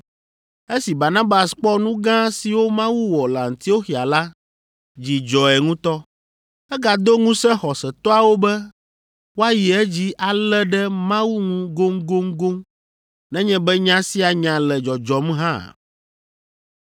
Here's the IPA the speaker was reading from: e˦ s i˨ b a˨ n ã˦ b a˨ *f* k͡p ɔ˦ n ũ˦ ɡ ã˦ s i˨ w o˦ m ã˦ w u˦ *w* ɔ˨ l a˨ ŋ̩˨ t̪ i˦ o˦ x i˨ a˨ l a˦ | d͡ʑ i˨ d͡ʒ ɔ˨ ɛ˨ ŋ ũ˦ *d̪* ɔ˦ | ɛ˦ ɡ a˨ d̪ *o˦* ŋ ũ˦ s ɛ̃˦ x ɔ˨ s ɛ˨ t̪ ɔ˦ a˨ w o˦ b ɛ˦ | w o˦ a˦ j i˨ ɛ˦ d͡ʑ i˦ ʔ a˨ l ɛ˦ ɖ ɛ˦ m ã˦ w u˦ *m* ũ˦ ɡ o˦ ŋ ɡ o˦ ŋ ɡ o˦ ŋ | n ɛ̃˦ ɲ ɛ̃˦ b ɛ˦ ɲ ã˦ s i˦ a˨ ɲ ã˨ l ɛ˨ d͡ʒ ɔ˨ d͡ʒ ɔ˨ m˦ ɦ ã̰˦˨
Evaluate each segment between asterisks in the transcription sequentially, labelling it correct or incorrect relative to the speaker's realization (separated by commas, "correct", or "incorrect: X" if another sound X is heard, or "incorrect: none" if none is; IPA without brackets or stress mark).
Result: incorrect: s, correct, incorrect: t̪, correct, incorrect: ŋ